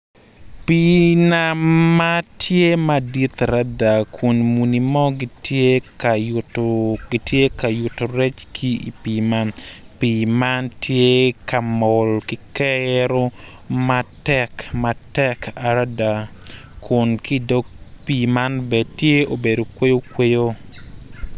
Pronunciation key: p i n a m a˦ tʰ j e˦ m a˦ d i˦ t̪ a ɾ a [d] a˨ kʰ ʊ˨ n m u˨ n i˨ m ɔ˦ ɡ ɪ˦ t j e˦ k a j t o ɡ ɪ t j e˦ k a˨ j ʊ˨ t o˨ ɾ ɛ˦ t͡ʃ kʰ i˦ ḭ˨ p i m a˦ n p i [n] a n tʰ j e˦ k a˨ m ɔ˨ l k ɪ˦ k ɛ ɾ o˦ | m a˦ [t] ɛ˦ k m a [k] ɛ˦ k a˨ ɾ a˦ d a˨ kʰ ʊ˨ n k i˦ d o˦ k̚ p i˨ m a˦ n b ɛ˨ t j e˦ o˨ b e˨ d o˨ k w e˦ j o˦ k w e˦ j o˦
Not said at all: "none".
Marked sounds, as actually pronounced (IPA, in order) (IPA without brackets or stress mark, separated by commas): d, m, t, t